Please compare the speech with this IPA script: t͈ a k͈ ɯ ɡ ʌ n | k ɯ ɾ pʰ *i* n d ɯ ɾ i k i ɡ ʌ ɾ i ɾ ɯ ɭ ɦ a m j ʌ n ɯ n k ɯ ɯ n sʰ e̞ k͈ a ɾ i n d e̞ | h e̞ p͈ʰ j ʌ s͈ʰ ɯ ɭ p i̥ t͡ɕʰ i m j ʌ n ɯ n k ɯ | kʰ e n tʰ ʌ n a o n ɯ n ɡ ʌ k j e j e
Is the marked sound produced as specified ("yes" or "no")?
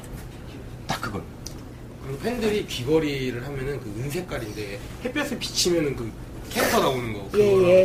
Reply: no